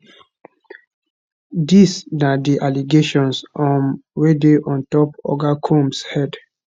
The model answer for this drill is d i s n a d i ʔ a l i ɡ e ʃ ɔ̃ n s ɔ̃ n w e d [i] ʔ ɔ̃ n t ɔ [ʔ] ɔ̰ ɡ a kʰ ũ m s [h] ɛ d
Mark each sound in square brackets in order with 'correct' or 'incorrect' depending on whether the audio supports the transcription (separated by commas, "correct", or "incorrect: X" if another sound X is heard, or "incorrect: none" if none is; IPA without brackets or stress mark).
incorrect: e, incorrect: p, correct